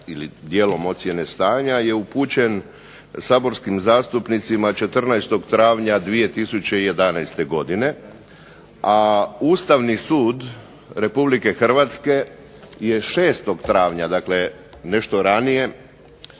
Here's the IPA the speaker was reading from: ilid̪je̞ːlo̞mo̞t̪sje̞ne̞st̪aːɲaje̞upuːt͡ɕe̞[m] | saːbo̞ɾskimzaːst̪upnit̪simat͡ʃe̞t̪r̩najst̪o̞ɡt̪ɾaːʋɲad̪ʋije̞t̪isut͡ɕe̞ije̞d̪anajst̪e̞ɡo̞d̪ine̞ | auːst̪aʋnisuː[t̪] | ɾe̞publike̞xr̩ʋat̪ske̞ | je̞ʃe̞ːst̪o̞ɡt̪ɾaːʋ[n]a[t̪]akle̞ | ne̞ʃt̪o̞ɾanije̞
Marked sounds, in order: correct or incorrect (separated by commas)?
incorrect, incorrect, incorrect, incorrect